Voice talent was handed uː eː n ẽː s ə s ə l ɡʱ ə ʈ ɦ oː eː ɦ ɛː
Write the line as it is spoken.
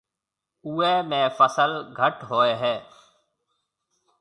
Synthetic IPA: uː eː m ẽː f ə s ə l ɡʱ ə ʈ ɦ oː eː ɦ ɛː